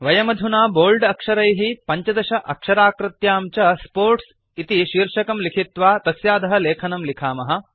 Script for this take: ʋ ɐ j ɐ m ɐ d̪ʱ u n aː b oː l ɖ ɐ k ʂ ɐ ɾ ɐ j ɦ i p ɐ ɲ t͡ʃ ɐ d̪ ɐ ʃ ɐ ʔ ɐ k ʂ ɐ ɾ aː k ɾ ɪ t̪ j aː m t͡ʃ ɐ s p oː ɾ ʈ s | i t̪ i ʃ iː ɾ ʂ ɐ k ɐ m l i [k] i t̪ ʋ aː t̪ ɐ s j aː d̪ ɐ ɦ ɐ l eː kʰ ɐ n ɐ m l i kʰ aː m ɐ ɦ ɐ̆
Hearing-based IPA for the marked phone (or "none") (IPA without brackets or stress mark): kʰ